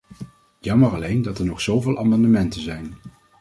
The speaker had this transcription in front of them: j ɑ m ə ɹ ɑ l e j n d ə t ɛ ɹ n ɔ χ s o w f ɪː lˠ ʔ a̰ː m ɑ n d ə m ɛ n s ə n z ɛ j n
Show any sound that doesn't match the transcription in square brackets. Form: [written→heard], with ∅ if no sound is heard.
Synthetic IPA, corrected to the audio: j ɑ m ə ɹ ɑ l e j n d [ə→ɑ] t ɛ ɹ n ɔ χ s o w [f→v] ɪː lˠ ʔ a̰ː m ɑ n d ə m ɛ n [s→t] ə n z ɛ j n